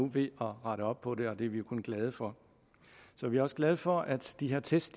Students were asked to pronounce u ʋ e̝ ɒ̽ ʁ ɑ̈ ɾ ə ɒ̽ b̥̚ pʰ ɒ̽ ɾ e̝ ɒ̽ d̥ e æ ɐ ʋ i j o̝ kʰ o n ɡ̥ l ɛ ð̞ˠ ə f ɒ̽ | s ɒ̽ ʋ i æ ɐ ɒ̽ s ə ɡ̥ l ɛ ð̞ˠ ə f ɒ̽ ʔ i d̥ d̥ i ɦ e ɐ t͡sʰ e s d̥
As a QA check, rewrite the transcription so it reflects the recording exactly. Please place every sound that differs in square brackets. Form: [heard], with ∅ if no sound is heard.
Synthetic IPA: u ʋ e̝ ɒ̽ ʁ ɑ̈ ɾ ə ɒ̽ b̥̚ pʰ ɒ̽ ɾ e̝ ɒ̽ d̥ e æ ɐ ʋ i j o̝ kʰ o n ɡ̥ l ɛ ð̞ˠ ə f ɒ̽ | s ɒ̽ ʋ i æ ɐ ɒ̽ s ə ɡ̥ l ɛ ð̞ˠ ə f ɒ̽ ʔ [æ] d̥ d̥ i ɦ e ɐ t͡sʰ e s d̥